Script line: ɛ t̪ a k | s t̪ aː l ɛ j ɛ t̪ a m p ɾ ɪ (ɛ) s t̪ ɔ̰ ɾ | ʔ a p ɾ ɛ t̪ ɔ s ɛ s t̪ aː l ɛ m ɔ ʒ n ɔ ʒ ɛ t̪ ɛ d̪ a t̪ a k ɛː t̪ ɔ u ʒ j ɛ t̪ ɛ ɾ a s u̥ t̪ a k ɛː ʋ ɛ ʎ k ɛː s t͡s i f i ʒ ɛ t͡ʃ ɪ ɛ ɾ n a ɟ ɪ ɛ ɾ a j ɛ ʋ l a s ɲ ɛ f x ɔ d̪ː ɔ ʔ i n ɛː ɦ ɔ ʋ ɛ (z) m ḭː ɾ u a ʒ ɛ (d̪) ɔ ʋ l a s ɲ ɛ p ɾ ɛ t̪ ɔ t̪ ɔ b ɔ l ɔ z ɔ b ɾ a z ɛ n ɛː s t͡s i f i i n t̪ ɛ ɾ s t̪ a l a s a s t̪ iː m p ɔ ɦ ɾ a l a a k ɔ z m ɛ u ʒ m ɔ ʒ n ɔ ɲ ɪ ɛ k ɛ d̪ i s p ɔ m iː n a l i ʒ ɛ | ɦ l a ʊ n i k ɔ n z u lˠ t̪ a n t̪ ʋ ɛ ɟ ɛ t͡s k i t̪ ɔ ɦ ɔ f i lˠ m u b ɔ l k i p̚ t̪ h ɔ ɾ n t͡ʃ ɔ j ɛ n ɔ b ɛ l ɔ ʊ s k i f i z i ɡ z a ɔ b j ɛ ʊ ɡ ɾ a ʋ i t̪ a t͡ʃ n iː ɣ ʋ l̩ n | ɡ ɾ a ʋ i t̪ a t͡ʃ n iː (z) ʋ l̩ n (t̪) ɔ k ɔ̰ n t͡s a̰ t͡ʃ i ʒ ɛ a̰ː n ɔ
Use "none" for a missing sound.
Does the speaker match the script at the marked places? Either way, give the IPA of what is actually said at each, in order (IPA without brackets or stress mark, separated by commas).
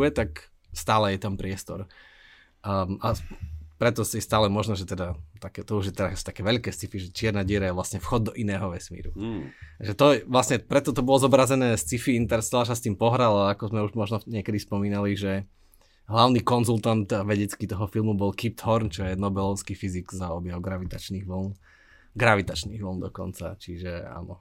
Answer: ɛ, s, t̪, ɣ, d̪